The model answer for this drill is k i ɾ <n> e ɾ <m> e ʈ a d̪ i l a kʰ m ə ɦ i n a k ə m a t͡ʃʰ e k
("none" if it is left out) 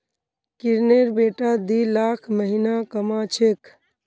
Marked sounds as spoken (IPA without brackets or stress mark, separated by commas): n, b